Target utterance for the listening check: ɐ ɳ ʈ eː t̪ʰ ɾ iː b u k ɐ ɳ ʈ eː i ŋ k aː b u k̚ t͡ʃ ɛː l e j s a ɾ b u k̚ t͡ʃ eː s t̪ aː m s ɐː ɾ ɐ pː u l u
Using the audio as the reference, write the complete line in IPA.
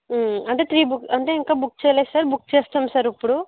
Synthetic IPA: ɐ ɳ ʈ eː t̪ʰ ɾ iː b u k ɐ ɳ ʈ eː i ŋ k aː b u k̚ t͡ʃ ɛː l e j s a ɾ b u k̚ t͡ʃ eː s t̪ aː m s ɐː ɾ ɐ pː u ɽ u